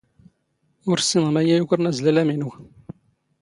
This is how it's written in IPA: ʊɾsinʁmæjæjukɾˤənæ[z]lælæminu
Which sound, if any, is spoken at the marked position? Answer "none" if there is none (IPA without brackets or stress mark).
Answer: z